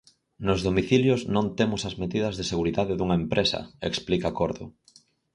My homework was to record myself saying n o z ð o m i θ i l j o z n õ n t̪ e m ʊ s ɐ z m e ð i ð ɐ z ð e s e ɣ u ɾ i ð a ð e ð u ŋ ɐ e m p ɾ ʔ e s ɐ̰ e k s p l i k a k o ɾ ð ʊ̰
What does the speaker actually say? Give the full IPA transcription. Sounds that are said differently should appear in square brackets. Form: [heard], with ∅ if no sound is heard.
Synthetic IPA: n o z ð o m i θ i l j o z n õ n t̪ e m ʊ s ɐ z m e ð i ð ɐ z ð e s e ɣ u ɾ i ð a ð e ð u ŋ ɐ e m p ɾ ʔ e s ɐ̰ e k s p l i k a k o ɾ ð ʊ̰